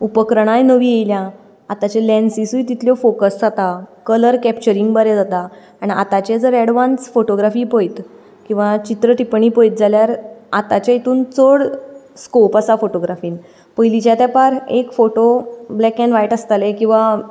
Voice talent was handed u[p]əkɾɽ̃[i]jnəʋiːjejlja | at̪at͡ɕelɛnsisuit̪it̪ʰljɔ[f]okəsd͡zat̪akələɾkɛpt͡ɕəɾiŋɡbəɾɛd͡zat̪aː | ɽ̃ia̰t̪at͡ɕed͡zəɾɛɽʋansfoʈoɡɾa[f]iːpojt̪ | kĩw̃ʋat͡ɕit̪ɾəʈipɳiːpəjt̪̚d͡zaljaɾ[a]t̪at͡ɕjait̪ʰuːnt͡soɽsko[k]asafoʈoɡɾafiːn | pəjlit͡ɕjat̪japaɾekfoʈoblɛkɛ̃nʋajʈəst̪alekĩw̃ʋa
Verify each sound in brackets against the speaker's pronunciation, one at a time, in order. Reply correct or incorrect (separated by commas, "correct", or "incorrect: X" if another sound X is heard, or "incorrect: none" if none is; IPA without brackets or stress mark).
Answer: correct, incorrect: a, correct, correct, correct, incorrect: p